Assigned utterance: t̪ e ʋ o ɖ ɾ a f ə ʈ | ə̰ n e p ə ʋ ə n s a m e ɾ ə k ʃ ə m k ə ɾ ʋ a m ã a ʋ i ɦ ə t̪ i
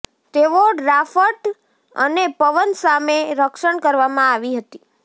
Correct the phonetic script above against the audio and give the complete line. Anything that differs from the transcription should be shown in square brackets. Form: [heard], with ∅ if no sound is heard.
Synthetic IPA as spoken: t̪ e ʋ o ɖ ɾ a f ə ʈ | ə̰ n e p ə ʋ ə n s a m e ɾ ə k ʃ ə [ɳ] k ə ɾ ʋ a m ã a ʋ i ɦ ə t̪ i